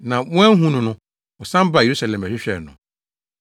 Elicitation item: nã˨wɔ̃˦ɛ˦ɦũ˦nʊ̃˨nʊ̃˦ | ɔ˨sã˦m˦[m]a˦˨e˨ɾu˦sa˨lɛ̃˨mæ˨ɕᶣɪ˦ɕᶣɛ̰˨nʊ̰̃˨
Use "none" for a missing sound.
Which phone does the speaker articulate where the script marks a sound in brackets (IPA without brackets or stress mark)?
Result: b